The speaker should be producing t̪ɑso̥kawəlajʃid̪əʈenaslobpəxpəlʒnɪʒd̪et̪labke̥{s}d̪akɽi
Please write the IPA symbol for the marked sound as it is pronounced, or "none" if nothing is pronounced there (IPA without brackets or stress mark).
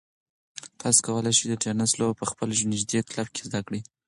z